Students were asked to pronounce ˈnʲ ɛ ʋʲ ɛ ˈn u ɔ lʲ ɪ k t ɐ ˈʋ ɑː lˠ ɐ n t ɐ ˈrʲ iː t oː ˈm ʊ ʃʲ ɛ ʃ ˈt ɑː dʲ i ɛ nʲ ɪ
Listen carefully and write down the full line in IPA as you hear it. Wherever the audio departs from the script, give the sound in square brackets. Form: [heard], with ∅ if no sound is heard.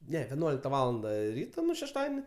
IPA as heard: ˈnʲ ɛ ʋʲ ɛ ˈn u ɔ lʲ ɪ k t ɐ ˈʋ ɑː lˠ ɐ n [d] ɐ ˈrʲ iː t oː [ˈn] ʊ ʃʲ ɛ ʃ ˈt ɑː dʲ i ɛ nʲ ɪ